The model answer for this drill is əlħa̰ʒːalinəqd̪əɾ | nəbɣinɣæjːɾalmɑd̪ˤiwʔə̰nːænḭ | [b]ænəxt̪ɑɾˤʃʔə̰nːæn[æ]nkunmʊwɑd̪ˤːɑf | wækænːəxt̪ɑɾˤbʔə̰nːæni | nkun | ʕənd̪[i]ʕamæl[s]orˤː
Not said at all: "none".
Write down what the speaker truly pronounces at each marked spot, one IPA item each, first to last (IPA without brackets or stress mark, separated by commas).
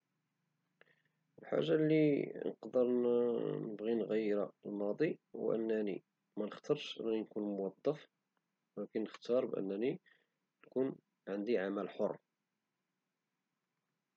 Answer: m, i, i, ħ